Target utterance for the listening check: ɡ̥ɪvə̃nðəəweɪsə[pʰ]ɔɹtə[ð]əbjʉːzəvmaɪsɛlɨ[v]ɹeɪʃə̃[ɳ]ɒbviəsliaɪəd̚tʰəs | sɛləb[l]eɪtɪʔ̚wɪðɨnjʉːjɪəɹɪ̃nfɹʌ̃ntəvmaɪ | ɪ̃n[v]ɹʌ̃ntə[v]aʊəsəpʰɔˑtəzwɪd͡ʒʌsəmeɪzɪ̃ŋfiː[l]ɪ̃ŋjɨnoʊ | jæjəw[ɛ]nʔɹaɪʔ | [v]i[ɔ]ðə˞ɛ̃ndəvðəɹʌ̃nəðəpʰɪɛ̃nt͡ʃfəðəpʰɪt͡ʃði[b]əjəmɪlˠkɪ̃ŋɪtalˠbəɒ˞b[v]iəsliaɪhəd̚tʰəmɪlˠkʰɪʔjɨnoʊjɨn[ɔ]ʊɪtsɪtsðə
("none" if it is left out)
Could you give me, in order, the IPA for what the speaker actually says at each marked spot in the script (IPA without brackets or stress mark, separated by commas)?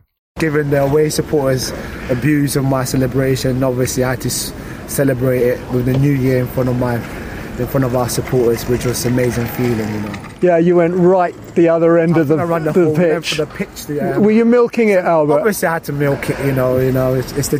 pʰ, z, b, n, ɹ, f, v, l, ɛ̃, ð, ʌ, w, v, o